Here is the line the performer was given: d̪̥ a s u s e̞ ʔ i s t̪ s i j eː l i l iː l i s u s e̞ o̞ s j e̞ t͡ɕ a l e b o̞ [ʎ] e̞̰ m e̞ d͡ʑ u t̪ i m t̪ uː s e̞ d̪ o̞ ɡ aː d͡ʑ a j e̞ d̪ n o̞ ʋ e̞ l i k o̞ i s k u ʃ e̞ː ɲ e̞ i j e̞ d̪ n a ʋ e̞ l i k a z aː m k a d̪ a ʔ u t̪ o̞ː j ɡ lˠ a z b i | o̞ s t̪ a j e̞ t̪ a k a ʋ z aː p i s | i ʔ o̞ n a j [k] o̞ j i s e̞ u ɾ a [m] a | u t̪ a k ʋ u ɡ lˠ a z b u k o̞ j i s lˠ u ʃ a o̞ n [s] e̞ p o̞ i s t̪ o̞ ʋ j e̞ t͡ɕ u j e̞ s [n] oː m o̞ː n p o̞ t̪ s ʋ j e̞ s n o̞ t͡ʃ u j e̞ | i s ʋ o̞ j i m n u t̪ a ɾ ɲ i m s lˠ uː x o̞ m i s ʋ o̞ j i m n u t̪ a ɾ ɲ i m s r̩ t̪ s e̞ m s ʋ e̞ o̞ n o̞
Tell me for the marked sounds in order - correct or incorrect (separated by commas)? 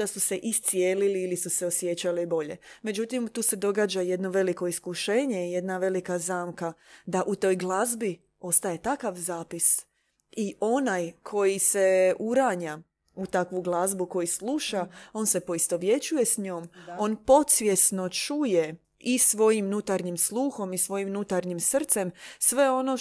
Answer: correct, incorrect, incorrect, correct, incorrect